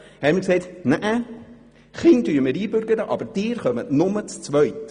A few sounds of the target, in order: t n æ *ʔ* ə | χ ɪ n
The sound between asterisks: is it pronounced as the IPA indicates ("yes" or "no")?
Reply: yes